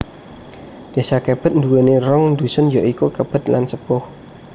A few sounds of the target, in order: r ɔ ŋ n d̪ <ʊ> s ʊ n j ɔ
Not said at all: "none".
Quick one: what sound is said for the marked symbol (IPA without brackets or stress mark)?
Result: u